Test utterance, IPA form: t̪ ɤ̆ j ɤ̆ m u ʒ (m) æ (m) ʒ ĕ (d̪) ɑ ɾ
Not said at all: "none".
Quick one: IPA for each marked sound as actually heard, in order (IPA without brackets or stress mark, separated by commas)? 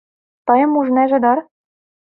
n, none, d̪